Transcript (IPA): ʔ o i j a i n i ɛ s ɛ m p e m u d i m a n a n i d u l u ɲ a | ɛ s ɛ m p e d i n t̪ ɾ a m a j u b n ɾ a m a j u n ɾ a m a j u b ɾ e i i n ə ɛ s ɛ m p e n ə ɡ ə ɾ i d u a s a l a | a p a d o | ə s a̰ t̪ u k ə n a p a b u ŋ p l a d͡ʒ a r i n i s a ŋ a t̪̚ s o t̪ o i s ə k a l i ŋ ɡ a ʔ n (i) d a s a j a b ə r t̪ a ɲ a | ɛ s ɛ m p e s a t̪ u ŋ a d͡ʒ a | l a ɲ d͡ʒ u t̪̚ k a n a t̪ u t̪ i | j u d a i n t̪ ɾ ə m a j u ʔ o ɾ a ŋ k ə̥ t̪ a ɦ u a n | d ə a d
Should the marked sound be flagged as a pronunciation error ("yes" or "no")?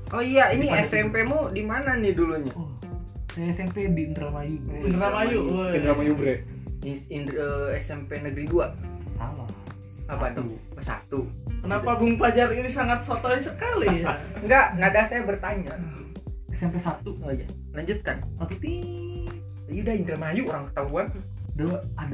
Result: yes